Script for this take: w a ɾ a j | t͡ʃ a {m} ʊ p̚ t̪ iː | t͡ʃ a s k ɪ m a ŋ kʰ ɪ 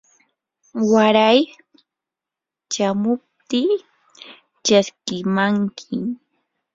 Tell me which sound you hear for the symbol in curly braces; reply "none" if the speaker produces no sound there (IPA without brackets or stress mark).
m